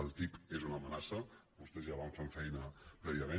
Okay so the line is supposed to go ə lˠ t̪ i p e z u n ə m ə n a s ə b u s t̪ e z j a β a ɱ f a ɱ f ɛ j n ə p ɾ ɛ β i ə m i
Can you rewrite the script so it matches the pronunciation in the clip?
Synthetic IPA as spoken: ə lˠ t̪ i p e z u n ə m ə n a s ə b u s t̪ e z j a β a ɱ f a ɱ f ɛ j n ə p ɾ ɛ β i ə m e

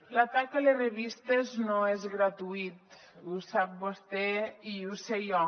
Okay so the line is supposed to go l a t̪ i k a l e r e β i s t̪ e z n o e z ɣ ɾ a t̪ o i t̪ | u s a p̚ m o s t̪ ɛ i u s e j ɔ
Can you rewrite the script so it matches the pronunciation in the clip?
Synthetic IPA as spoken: l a t̪ a k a l e r e β i s t̪ e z n o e z ɣ ɾ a t̪ u i t̪ | u s a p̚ b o s t̪ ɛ i u s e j ɔ

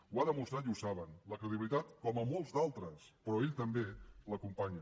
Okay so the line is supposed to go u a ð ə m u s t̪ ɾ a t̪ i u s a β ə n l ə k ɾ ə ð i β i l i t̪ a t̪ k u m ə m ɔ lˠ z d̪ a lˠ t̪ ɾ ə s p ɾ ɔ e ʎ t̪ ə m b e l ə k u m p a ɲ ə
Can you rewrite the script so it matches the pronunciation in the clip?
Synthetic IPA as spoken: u a ð ə m u s t̪ ɾ a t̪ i u s a β ə n l ə k ɾ ə ð i β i l i t̪ a t̪ k ɔ m ə m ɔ lˠ z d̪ a lˠ t̪ ɾ ə s p ɾ ɔ e ʎ t̪ ə m b e l ə k u m p a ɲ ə

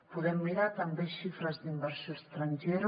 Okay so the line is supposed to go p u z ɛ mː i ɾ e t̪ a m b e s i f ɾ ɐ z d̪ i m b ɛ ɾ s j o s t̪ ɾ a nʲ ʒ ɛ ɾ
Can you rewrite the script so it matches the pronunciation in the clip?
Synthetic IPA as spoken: p u ð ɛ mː i ɾ a t̪ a m b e ʃ i f ɾ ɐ z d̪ i m b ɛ ɾ s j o s t̪ ɾ a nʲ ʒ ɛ ɾ

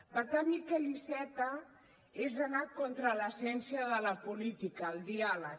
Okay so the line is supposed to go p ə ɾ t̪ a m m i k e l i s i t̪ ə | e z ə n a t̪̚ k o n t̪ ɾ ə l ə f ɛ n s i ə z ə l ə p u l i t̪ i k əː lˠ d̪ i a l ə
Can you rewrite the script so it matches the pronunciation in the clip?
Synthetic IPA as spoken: p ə ɾ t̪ a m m i k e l i s ɛ t̪ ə | e z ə n a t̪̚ k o n t̪ ɾ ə l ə s ɛ n s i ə ð ə l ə p u l i t̪ i k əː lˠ d̪ i a l ə

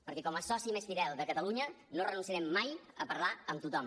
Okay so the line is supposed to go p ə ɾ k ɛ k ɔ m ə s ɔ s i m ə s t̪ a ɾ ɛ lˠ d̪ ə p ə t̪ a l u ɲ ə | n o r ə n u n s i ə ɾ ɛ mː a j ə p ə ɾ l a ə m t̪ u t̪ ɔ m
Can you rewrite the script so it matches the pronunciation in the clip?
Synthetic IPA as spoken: p ə ɾ k ɛ k ɔ m ə s ɔ s i m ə s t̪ i ɾ ɛ lˠ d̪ ə k ə t̪ ə l u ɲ ə | n o r ə n u n s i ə ɾ ɛ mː a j ə p ə ɾ l a ə m t̪ u t̪ ɔ m

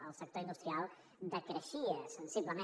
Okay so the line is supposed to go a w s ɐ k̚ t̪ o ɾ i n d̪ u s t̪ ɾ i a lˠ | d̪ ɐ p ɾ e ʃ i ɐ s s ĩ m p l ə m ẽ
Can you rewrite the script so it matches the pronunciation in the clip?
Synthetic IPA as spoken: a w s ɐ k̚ t̪ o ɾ i n d̪ u s t̪ ɾ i a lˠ | d̪ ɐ k ɾ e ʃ i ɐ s s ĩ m p l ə m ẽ

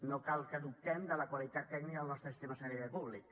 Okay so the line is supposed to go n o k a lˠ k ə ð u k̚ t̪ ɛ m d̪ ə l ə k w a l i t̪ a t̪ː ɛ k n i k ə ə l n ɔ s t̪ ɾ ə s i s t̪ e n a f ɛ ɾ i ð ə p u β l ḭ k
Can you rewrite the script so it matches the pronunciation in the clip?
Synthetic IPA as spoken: n o k a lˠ k ə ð u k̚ t̪ ɛ m d̪ ə l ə k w a l i t̪ a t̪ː ɛ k n i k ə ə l n ɔ s t̪ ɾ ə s i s t̪ e m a s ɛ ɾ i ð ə p u β l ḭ k

